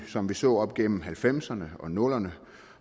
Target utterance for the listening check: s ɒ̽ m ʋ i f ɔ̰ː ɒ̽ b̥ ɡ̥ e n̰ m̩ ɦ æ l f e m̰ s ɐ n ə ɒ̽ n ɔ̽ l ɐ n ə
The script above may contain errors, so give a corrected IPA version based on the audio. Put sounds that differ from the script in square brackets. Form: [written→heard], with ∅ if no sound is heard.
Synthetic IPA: s ɒ̽ m ʋ i [f→s] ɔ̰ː ɒ̽ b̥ ɡ̥ e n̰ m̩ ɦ æ l f e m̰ s ɐ n ə ɒ̽ n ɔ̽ l ɐ n ə

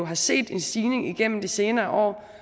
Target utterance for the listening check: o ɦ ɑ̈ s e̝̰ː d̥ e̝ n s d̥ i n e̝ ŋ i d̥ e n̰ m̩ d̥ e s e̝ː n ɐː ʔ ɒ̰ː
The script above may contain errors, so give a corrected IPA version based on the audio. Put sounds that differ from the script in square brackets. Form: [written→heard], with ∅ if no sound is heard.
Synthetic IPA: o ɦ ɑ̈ s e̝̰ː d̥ e̝ n s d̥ [i→iː] n e̝ ŋ i [d̥→ɡ̥] e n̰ m̩ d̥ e s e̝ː n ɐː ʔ ɒ̰ː

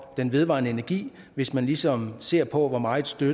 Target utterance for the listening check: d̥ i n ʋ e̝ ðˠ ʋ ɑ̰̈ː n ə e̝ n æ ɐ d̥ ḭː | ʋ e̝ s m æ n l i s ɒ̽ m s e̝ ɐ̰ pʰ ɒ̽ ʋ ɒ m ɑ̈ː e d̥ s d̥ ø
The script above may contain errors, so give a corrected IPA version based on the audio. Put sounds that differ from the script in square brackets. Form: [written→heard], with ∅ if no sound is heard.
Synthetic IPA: d̥ [i→e] n ʋ e̝ ðˠ ʋ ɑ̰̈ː n ə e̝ n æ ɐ [d̥→ɡ̥] ḭː | ʋ e̝ s m æ n l i s ɒ̽ m s e̝ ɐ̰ pʰ ɒ̽ ʋ ɒ m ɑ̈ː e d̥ s d̥ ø

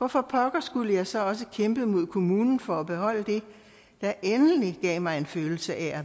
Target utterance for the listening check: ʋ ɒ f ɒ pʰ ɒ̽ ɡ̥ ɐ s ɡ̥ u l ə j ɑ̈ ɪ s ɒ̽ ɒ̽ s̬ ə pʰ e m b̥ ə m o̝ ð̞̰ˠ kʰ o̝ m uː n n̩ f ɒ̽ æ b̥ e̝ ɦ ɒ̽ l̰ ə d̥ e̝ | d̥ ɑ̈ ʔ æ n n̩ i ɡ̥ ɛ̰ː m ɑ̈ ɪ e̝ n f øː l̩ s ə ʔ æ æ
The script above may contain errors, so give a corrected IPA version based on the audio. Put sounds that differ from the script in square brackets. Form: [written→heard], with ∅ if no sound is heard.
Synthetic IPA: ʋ ɒ f ɒ pʰ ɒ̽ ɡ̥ ɐ s ɡ̥ u l ə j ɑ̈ ɪ s ɒ̽ ɒ̽ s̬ ə [pʰ→kʰ] e m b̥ ə m o̝ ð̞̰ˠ kʰ o̝ m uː n n̩ f ɒ̽ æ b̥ e̝ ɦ ɒ̽ l̰ ə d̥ e̝ | d̥ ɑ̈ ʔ [æ→e] n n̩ i ɡ̥ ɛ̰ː m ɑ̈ ɪ e̝ n f øː l̩ s ə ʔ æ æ

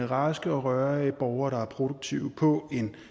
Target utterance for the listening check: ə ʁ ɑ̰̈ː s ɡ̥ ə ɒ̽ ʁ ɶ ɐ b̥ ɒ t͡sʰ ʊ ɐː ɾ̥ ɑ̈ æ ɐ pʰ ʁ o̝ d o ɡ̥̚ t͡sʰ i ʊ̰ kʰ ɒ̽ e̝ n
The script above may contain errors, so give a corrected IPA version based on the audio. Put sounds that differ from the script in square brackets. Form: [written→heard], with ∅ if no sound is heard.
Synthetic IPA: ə ʁ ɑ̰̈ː s ɡ̥ ə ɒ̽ ʁ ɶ ɐ b̥ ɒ [t͡sʰ→∅] ʊ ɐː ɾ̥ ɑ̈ æ ɐ pʰ ʁ o̝ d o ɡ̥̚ t͡sʰ i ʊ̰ [kʰ→pʰ] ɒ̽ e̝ n

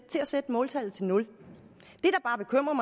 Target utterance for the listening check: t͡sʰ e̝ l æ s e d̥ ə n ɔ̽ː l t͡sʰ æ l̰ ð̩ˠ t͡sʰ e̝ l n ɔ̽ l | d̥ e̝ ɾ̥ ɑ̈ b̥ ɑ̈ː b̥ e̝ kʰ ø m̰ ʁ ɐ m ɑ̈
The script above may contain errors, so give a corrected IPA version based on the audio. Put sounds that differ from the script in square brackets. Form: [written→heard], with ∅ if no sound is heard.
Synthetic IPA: t͡sʰ e̝ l æ s e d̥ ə [n→m] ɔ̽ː l t͡sʰ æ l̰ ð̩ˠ t͡sʰ e̝ l n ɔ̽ l | d̥ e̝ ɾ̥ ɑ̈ b̥ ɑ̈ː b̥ e̝ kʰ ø m̰ ʁ ɐ m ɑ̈

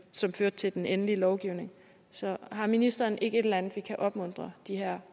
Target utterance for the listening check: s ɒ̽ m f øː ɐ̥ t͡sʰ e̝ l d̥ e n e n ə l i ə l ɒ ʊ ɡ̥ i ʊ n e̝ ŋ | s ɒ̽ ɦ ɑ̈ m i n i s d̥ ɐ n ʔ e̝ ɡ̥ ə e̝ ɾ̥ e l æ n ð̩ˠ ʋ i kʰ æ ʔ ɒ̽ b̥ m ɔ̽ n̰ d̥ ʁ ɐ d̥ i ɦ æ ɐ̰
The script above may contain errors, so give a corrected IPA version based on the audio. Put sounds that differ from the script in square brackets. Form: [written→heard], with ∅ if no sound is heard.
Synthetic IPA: s ɒ̽ m f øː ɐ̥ t͡sʰ e̝ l d̥ e n e n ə l i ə l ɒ ʊ ɡ̥ i ʊ n e̝ ŋ | s ɒ̽ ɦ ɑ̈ m i n i s d̥ ɐ n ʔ e̝ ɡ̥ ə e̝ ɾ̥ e l æ n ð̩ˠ ʋ i kʰ æ ʔ ɒ̽ b̥ m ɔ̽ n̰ d̥ ʁ ɐ d̥ i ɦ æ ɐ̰

